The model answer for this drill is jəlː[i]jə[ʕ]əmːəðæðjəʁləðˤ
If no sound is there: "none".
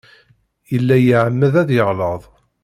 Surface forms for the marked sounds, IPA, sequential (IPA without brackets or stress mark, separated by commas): æ, ʕ